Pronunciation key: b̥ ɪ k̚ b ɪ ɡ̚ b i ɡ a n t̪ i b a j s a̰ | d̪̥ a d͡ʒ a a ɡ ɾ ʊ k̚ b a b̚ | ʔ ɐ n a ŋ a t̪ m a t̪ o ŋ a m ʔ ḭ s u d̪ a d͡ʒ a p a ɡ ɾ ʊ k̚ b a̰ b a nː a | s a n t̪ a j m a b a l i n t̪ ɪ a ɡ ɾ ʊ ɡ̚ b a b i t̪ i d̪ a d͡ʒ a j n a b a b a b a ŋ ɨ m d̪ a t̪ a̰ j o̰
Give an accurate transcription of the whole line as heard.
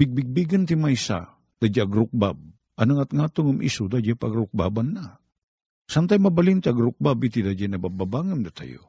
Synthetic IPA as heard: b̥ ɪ ɡ̚ b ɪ ɡ̚ b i ɡ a n t̪ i m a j s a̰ | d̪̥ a d͡ʒ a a ɡ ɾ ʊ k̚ b a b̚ | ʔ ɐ n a ŋ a t̪ ŋ a t̪ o ŋ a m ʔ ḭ s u d̪ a d͡ʒ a p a ɡ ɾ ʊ k̚ b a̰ b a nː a | s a n t̪ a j m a b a l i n t̪ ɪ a ɡ ɾ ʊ k̚ b a b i t̪ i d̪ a d͡ʒ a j n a b a b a b a ŋ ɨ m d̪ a t̪ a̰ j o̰